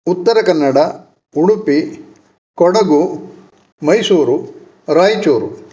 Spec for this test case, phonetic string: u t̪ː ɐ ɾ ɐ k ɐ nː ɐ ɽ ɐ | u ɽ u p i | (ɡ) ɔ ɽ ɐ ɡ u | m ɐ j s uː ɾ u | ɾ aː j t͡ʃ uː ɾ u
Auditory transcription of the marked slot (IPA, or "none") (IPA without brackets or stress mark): k